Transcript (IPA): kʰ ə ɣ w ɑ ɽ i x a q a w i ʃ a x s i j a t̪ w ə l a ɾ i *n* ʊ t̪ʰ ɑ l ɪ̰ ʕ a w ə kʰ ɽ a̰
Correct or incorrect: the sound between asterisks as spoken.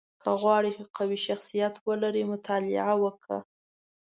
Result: incorrect: m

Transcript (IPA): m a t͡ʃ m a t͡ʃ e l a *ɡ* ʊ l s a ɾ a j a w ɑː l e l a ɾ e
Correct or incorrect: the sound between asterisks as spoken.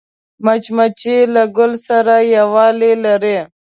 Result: correct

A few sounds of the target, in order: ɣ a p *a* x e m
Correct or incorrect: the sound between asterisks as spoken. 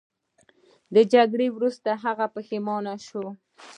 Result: incorrect: ə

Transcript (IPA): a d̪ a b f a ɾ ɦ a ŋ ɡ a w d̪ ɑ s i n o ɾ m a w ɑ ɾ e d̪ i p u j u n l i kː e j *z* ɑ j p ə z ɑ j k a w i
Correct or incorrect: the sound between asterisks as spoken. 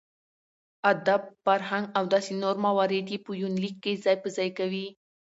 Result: correct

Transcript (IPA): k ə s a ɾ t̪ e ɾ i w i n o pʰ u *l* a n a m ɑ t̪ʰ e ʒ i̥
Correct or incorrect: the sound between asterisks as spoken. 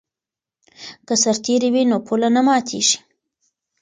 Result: correct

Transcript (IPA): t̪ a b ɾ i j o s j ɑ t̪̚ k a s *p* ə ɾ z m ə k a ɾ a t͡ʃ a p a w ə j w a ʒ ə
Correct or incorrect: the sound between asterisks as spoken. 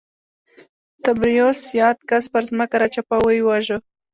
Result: correct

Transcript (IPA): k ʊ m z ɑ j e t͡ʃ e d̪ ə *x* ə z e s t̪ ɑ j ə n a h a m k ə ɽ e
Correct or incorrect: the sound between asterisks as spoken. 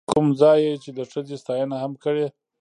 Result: incorrect: ʂ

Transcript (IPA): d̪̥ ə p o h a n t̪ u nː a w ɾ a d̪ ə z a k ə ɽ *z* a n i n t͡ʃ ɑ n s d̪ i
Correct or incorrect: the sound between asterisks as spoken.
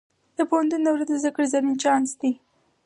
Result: correct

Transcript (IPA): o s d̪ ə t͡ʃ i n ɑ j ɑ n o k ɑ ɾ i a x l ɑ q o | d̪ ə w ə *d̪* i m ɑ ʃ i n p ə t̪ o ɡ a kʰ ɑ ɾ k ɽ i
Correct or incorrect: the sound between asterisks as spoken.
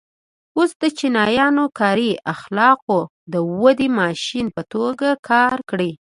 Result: correct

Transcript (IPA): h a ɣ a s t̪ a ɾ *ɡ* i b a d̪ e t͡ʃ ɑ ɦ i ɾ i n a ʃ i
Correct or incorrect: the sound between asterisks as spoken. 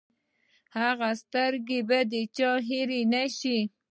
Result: correct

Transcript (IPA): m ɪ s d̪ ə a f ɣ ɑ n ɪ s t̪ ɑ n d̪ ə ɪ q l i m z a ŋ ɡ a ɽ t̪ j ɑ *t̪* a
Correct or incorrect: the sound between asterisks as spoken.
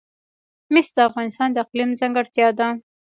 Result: incorrect: d̪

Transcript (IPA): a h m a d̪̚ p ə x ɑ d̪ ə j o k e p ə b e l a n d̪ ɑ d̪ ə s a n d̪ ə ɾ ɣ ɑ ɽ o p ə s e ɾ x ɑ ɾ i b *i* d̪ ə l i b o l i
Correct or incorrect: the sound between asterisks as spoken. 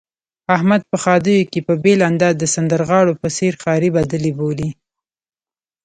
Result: incorrect: a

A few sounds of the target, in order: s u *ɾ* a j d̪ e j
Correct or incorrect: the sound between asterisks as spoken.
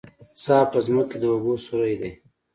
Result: correct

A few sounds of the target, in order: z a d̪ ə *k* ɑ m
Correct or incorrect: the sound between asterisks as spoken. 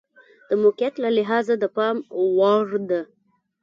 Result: incorrect: p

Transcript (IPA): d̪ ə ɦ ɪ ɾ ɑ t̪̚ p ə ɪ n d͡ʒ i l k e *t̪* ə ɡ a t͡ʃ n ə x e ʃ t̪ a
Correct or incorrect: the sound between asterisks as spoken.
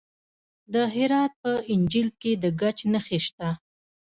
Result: incorrect: d̪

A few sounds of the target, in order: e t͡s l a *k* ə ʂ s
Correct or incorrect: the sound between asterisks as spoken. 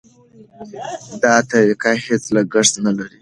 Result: incorrect: ɡ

